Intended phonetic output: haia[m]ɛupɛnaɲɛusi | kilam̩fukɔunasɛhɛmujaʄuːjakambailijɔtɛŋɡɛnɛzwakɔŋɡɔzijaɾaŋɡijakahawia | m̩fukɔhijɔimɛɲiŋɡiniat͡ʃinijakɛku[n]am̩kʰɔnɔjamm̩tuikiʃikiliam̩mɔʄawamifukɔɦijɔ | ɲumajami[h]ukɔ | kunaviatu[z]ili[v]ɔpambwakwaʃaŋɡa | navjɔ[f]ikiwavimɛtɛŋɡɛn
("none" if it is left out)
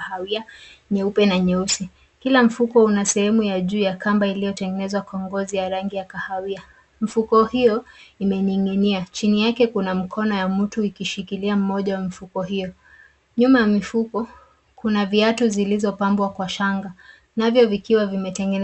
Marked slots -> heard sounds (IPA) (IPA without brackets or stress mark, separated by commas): ɲ, n, f, z, z, v